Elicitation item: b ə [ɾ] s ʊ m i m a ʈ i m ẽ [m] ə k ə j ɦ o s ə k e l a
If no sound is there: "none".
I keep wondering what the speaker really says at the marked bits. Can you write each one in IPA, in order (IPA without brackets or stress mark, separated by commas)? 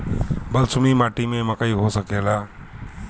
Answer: l, m